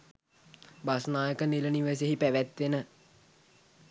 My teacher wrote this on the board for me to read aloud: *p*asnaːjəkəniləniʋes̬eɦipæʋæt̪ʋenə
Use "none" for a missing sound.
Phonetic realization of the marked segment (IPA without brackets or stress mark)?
b